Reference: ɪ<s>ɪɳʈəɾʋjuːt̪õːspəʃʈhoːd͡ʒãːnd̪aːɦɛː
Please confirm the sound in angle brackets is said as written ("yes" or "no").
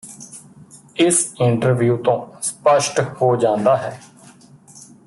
yes